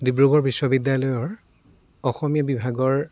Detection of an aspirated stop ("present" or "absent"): absent